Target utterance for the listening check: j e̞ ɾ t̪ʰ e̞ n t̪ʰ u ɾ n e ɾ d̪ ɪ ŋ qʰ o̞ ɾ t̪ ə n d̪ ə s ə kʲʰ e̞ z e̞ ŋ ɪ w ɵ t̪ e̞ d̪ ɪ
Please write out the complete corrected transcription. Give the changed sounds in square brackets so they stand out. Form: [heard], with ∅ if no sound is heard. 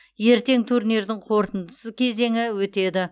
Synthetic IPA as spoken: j e̞ ɾ [t̪] e̞ [ŋ] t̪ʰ u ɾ n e ɾ d̪ ɪ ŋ qʰ o̞ ɾ t̪ ə n d̪ ə s ə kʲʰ e̞ z e̞ ŋ ɪ w ɵ t̪ e̞ d̪ ɪ